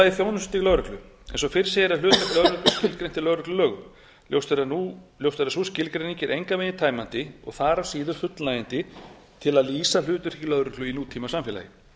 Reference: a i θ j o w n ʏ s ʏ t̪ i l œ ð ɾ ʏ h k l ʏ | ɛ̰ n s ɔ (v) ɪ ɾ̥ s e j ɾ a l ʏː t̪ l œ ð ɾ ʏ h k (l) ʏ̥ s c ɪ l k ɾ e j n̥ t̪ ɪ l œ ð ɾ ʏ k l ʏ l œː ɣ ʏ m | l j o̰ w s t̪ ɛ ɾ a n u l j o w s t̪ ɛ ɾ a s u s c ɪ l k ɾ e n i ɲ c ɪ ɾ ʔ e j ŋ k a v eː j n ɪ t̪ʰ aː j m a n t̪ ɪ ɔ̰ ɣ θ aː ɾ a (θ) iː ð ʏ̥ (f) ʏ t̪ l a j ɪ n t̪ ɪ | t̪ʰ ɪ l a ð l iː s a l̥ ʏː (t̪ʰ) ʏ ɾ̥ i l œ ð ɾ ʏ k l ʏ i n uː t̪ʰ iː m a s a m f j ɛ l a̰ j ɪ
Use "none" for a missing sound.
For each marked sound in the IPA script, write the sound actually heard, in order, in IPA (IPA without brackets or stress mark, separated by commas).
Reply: f, l, s, f, t̪